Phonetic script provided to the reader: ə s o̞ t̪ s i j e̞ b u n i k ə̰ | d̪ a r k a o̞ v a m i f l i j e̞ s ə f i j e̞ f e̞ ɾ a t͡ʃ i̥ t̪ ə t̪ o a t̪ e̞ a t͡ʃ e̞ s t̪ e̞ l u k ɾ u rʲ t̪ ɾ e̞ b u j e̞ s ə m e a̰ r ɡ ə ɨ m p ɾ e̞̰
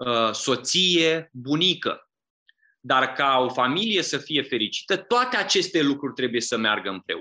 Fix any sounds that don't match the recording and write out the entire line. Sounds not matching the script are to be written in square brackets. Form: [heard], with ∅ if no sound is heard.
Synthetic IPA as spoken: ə s o̞ t̪ s i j e̞ b u n i k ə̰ | d̪ a r k a o̞ [f] a m i [∅] l i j e̞ s ə f i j e̞ f e̞ ɾ [i] t͡ʃ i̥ t̪ ə t̪ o a t̪ e̞ a t͡ʃ e̞ s t̪ e̞ l u k ɾ u rʲ t̪ ɾ e̞ b u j e̞ s ə m e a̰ r ɡ ə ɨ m p ɾ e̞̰